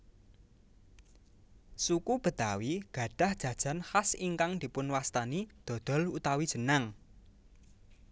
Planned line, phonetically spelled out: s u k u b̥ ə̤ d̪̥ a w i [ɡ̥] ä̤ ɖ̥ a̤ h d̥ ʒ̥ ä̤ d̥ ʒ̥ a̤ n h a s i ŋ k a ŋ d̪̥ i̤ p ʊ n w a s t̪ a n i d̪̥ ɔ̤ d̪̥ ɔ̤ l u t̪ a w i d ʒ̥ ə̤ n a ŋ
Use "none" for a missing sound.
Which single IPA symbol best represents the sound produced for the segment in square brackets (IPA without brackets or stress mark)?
ɡ̥